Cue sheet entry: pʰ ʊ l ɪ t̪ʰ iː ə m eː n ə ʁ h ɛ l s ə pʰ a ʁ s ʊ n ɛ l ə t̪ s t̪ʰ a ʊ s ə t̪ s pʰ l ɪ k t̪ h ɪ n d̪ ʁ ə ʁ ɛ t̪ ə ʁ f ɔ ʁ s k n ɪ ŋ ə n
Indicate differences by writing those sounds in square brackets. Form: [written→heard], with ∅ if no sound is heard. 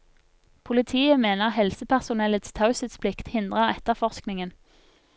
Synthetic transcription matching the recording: pʰ ʊ l ɪ t̪ʰ iː ə m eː n ə ʁ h ɛ l s ə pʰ [a→æ] ʁ s ʊ n ɛ l ə t̪ s t̪ʰ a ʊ s ə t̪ s pʰ l ɪ k t̪ h ɪ n d̪ ʁ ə ʁ ɛ t̪ ə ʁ f ɔ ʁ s k n ɪ ŋ ə n

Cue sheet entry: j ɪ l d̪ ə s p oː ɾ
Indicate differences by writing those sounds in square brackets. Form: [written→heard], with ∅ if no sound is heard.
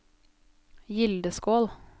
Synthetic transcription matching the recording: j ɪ l d̪ ə s [p→k] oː [ɾ→l]

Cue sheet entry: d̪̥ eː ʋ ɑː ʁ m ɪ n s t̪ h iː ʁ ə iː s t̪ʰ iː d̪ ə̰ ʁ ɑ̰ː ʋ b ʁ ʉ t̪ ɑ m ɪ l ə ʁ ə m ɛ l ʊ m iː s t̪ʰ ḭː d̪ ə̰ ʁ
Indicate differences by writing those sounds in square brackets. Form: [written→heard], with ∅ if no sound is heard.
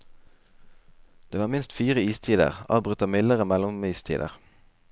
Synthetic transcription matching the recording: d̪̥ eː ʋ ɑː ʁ m ɪ n s t̪ [h→f] iː ʁ ə iː s t̪ʰ iː d̪ ə̰ ʁ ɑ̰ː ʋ b ʁ ʉ t̪ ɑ m ɪ l ə ʁ ə m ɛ l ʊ m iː s t̪ʰ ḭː d̪ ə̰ ʁ

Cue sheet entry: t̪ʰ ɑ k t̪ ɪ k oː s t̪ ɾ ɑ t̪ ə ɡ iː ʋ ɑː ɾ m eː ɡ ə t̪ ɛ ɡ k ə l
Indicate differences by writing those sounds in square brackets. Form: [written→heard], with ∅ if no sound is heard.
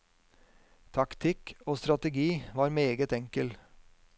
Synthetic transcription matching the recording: t̪ʰ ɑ k [t̪→t̪ʰ] ɪ k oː s t̪ ɾ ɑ t̪ ə ɡ iː ʋ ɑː ɾ m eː ɡ ə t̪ ɛ [ɡ→ŋ] k ə l

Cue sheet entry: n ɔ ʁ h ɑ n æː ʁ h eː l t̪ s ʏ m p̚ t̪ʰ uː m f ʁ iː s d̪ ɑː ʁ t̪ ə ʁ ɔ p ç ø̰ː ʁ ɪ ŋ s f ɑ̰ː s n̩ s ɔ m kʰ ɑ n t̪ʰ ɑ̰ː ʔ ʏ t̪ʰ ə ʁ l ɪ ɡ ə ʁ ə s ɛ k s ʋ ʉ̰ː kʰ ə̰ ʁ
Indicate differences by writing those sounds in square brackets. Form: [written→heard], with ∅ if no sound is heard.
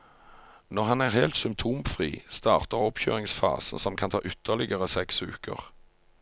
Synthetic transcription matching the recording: n ɔ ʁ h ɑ n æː ʁ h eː l t̪ s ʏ m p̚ t̪ʰ uː m f ʁ iː s [d̪→t̪] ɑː ʁ t̪ ə ʁ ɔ p ç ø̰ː ʁ ɪ ŋ s f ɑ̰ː s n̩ s ɔ m kʰ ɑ n t̪ʰ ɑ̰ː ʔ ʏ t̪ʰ ə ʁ l ɪ ɡ ə ʁ ə s ɛ k s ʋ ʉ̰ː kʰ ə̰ ʁ

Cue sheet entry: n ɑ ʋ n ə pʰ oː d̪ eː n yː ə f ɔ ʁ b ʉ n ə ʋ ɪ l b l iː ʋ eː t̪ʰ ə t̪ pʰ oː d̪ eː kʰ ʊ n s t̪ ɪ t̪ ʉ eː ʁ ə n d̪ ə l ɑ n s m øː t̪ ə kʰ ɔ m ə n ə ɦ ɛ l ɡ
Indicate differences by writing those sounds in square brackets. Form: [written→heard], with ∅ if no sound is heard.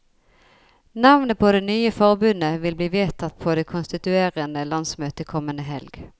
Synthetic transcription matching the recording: n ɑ ʋ n ə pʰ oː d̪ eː n yː ə f ɔ ʁ b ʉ n ə ʋ ɪ l b l iː ʋ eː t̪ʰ [ə→ɑ] t̪ pʰ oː d̪ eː kʰ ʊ n s t̪ ɪ t̪ ʉ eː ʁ ə n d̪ ə l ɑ n s m øː t̪ ə kʰ ɔ m ə n ə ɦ ɛ l ɡ

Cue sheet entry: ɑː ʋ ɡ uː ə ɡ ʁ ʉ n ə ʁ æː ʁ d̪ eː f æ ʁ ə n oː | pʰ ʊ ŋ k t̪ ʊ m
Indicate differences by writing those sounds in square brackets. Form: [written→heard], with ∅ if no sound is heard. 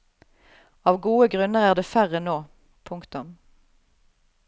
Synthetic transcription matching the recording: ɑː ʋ ɡ uː ə ɡ ʁ ʉ n ə ʁ æː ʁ d̪ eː f æ ʁ ə n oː | pʰ ʊ ŋ k t̪ ʊ m

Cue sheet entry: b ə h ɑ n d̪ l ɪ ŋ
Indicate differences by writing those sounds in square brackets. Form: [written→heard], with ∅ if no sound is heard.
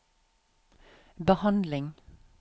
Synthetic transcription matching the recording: b ə h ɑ n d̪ l ɪ ŋ

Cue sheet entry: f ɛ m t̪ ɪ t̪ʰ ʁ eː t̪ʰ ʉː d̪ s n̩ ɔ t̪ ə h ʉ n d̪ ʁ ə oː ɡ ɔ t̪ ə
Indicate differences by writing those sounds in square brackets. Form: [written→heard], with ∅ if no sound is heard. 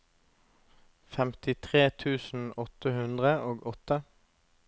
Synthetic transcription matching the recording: f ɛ m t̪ ɪ t̪ʰ ʁ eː t̪ʰ ʉː [d̪→∅] s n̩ ɔ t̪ ə h ʉ n d̪ ʁ ə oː ɡ ɔ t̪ ə

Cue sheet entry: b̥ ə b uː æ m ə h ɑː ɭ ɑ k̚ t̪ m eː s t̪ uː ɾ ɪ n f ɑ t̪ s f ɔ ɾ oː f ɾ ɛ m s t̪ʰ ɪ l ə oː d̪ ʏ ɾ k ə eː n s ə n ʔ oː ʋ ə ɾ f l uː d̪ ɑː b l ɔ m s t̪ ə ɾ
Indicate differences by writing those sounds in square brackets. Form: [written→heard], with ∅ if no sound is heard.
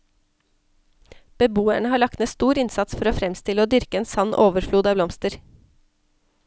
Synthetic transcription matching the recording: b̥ ə b uː æ [m→ɳ] ə h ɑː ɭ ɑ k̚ t̪ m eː s t̪ uː ɾ ɪ n [f→s] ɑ t̪ s f ɔ ɾ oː f ɾ ɛ m s [t̪ʰ→t̪] ɪ l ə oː d̪ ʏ ɾ k ə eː n s [ə→ɑ] n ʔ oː ʋ ə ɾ f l uː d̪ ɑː b l ɔ m s t̪ ə ɾ

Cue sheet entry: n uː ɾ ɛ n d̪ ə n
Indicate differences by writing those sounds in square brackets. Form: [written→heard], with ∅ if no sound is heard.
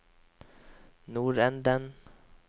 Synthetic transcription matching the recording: n uː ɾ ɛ n d̪ ə n

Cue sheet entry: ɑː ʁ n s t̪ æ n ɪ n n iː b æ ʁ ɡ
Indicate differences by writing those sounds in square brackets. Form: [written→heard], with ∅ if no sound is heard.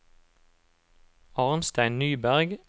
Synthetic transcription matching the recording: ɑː ʁ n s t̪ æ [n→∅] ɪ n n [iː→yː] b æ ʁ ɡ

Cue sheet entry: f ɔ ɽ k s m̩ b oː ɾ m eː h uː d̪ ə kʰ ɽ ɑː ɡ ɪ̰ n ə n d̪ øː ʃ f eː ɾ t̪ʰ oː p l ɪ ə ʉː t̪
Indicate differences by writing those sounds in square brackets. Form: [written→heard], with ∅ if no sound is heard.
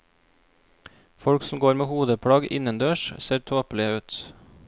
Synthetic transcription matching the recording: f ɔ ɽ k s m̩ [b→ɡ] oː ɾ m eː h uː d̪ ə [kʰ→pʰ] ɽ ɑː ɡ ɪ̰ n ə n d̪ øː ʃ [f→s] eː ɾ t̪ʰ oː p l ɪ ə ʉː t̪

